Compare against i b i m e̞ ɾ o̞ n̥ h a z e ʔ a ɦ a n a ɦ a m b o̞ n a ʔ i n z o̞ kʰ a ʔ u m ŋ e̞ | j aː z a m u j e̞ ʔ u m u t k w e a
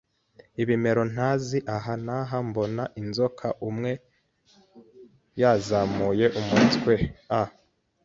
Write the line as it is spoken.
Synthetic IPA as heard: i β i m e̞ ɾ o̞ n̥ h a z i ʔ a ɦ a n a ɦ a m b o̞ n a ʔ i n z o̞ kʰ a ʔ u m ŋ e̞ | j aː z a m u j e̞ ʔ u m u t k w e a